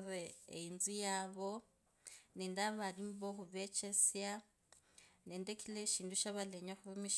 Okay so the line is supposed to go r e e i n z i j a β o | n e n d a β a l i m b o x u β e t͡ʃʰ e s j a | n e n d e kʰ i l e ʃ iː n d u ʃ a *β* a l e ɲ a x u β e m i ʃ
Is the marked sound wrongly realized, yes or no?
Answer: no